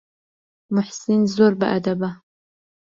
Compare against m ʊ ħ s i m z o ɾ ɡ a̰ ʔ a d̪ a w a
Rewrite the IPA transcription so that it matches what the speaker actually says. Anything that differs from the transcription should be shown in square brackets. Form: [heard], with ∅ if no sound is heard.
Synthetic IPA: m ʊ ħ s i [n] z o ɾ [b] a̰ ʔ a d̪ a [b] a